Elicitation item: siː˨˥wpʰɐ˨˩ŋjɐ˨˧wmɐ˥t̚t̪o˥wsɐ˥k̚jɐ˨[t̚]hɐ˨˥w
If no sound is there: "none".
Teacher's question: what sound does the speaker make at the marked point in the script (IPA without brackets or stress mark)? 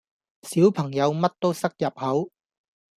p̚